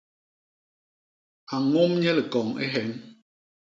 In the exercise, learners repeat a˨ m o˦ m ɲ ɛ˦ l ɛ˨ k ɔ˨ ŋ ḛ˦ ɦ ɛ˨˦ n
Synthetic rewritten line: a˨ ŋ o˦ m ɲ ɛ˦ l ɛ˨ k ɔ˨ ŋ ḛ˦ ɦ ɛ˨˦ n